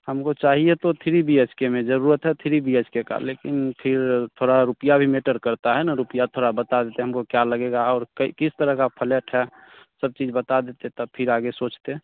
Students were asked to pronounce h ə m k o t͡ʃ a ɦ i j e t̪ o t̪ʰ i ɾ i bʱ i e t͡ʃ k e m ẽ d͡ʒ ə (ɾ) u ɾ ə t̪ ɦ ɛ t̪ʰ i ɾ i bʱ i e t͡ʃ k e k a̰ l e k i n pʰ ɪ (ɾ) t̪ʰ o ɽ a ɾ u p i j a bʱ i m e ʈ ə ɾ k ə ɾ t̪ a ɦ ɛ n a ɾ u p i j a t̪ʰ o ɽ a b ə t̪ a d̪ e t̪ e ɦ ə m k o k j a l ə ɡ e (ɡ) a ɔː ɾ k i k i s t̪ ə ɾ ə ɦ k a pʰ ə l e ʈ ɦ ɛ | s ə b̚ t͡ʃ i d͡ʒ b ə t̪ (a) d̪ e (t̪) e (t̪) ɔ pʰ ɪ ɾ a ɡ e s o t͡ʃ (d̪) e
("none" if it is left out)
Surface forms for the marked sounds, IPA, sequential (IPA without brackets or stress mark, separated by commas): ɾ, ɾ, ɡ, a, t̪, t̪, t̪